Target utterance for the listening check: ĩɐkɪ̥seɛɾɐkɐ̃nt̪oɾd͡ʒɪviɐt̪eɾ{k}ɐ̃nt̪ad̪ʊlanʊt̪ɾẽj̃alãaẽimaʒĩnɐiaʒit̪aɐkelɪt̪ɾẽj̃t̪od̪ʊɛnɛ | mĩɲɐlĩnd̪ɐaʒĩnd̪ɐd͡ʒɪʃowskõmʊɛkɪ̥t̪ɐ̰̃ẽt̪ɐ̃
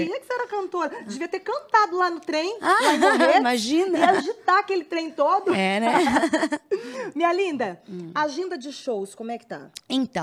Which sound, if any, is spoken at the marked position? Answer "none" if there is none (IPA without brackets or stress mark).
k